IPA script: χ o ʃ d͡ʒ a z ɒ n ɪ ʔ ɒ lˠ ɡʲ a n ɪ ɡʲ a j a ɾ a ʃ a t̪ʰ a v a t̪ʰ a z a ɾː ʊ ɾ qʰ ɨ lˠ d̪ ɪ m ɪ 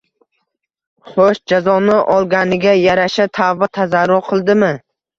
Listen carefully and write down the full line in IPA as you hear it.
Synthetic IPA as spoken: χ o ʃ d͡ʒ a z ɒ n ɪ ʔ ɒ lˠ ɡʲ a n ɪ ɡʲ a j a ɾ a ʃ a t̪ʰ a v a t̪ʰ a z a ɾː ʊ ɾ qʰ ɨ lˠ d̪ ɪ m ɪ